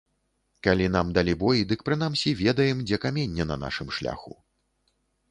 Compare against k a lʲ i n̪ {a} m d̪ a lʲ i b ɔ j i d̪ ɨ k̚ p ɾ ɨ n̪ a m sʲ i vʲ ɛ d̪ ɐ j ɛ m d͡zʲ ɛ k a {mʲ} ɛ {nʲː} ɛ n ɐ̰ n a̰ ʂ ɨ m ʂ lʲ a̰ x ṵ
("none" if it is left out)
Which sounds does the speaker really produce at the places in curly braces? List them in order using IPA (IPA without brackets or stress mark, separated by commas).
a, mʲ, nʲː